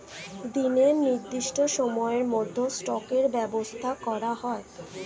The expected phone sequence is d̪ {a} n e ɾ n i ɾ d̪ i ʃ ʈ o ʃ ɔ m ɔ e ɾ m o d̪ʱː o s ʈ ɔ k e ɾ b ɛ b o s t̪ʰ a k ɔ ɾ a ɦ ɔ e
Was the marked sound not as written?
yes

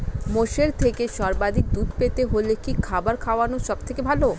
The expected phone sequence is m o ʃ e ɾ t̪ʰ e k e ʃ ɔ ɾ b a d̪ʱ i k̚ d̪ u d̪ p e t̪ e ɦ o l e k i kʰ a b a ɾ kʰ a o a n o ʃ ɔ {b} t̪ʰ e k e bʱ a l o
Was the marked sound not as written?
no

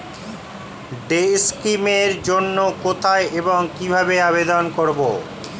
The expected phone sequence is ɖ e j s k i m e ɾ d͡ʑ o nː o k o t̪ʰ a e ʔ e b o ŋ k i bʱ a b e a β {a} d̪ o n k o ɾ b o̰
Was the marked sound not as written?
yes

